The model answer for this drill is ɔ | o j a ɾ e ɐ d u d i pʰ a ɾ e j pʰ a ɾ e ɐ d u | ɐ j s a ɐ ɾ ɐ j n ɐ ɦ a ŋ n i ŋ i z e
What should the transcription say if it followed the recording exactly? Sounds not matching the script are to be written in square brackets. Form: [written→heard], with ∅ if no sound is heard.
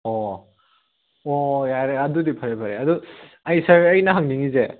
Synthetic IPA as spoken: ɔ | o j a ɾ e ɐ d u d i pʰ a ɾ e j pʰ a ɾ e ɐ d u | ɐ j s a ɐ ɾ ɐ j n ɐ ɦ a ŋ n i ŋ i z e